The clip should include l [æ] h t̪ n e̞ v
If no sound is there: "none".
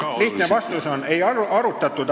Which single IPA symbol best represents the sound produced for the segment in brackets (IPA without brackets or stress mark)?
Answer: i